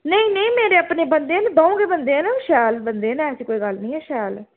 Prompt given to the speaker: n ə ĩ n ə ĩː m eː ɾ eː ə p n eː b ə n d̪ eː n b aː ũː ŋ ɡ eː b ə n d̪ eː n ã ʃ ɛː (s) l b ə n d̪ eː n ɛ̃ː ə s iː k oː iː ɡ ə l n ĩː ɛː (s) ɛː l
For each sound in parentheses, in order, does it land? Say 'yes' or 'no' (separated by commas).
no, no